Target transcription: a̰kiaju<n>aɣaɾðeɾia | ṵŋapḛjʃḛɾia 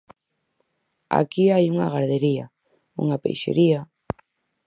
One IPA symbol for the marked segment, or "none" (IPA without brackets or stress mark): ŋ